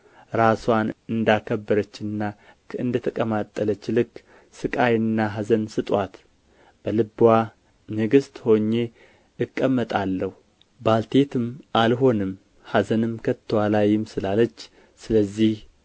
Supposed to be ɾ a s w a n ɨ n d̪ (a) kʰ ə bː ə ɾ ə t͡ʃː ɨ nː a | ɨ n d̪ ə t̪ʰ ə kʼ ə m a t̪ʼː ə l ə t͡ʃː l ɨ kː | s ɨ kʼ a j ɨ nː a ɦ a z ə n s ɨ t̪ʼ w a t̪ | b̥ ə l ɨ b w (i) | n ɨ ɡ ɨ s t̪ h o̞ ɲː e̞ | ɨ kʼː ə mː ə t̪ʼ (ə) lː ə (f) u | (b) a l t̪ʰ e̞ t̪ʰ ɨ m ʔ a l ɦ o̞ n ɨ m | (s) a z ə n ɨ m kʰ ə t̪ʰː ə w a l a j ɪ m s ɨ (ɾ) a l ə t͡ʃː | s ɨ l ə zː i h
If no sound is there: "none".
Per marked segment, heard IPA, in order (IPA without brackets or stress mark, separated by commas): a, a, a, h, b, h, l